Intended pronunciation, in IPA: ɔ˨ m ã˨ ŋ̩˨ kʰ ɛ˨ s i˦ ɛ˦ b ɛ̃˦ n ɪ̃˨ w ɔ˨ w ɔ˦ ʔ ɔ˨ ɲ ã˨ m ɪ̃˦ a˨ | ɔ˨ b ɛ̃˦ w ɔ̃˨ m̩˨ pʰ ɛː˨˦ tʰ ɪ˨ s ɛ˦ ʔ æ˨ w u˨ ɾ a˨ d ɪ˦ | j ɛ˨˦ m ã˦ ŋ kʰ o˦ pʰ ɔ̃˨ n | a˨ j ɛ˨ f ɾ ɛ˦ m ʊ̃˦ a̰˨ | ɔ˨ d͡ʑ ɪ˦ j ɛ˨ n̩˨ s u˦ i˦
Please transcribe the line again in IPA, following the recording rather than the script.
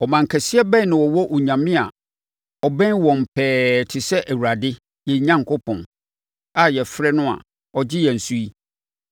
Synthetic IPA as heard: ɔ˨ m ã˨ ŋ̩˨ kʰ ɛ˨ s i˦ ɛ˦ b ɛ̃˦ n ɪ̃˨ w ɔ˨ w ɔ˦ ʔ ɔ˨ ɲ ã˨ m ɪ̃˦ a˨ | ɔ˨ b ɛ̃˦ w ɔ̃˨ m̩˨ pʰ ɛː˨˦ tʰ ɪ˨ s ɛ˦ ʔ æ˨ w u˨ ɾ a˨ d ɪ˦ | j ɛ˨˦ ɲ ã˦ ŋ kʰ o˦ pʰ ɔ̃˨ n | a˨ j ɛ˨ f ɾ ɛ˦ n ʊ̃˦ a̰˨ | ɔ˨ d͡ʑ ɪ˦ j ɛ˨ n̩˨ s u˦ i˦

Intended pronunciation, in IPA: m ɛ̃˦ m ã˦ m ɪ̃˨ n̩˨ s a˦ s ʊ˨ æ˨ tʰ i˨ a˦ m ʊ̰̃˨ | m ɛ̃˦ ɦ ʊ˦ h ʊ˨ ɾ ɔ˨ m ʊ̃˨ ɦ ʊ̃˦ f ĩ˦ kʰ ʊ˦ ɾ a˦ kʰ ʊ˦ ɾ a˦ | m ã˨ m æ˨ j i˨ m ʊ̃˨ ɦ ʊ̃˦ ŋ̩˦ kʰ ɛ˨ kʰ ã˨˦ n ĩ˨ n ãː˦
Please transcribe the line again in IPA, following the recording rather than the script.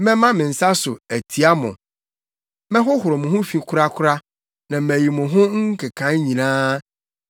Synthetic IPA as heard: m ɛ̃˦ m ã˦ m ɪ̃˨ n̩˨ s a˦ s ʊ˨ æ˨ tʰ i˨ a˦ m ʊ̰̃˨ | m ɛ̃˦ ɦ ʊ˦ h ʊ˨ ɾ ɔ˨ m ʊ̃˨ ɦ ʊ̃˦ f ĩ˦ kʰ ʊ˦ ɾ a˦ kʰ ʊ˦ ɾ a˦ | n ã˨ m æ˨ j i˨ m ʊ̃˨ ɦ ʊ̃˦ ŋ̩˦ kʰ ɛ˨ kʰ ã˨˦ ɲ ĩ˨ n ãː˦

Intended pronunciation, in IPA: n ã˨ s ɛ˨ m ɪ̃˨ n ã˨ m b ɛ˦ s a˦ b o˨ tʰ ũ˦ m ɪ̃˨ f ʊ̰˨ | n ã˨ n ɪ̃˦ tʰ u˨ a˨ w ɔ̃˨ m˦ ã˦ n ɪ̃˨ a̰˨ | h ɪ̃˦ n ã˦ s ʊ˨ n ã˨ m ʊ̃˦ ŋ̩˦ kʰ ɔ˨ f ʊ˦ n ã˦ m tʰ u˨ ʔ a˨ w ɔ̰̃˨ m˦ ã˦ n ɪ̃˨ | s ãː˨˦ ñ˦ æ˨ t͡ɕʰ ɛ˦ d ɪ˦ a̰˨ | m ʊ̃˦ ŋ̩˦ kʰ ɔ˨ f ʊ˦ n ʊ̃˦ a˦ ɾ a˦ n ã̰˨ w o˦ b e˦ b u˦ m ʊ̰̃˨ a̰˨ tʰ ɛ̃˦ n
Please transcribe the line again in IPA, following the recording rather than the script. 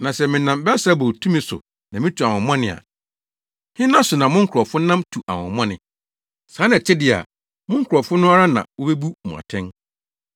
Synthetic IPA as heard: n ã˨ s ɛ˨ m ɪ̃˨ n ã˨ m b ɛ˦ s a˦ b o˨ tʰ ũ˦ m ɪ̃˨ s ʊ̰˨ | n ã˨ m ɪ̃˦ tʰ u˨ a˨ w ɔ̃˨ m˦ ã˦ n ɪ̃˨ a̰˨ | h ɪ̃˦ n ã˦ s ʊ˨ n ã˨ m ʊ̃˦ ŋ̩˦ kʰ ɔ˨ f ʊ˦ n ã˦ m tʰ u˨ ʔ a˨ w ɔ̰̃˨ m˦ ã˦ n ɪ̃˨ | s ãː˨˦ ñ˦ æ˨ t͡ɕʰ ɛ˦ d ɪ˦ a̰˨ | m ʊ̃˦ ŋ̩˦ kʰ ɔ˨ f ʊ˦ n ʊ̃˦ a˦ ɾ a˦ n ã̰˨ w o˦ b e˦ b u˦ m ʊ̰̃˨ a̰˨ tʰ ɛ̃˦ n

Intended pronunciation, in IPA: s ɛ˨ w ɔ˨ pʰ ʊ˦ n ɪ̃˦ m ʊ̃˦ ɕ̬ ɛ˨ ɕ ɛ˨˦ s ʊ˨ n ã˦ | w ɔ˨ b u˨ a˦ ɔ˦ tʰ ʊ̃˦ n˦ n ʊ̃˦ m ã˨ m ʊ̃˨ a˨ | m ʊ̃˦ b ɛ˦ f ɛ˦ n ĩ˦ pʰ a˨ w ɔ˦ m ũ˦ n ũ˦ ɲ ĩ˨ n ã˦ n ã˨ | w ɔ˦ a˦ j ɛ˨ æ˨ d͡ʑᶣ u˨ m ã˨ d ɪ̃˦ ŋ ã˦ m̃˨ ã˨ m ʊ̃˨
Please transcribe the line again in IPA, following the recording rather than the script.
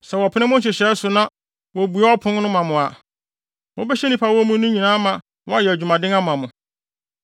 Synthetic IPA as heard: s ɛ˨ w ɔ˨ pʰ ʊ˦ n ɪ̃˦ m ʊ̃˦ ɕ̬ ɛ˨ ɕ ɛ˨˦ s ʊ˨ n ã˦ | w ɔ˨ b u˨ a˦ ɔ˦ pʰ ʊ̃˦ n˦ n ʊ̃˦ m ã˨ m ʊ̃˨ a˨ | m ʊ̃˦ b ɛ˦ ɕ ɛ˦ n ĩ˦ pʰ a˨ w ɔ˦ m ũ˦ n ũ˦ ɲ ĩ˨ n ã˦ m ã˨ | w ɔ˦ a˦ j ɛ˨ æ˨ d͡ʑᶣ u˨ m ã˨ d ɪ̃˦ ŋ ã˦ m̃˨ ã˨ m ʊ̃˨

